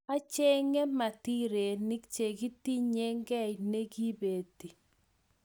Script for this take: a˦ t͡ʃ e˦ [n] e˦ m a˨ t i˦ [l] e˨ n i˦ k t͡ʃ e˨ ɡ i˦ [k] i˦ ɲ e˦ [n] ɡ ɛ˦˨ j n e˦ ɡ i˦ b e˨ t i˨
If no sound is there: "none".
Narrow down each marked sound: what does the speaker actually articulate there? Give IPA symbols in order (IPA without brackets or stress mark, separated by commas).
ŋ, ɾ, t, ŋ